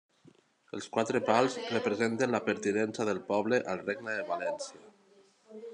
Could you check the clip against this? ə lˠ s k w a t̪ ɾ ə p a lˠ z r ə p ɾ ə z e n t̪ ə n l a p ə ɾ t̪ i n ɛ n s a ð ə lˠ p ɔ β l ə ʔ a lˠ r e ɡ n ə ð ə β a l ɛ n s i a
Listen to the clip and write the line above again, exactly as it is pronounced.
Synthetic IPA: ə lˠ s k w a t̪ ɾ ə p a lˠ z r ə p ɾ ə z e n t̪ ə n l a p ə ɾ t̪ i n ɛ n s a ð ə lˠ p ɔ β l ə ʔ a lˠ r e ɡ n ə ð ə β a l ɛ n s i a